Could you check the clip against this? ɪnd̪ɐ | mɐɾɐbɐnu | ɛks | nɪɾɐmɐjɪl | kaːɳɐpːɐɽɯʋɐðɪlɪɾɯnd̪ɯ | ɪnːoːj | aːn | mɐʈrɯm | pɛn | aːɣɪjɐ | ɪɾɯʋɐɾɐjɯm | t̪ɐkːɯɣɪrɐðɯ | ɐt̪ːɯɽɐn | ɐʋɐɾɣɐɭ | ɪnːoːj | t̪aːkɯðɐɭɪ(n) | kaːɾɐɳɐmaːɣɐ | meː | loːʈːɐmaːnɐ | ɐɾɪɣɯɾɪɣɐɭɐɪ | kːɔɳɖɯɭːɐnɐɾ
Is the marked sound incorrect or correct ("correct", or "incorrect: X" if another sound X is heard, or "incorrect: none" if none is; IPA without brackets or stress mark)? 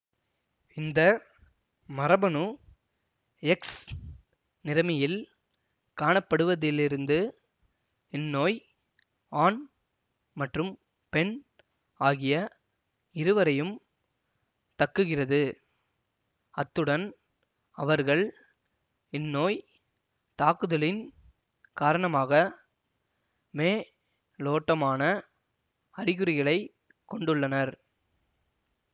correct